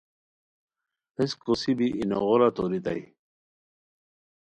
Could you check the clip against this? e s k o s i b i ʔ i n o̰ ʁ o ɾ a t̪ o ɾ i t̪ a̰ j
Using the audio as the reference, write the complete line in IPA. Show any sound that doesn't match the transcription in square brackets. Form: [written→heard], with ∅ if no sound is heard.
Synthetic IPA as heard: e s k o s i b i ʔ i n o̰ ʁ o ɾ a t̪ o ɾ i t̪ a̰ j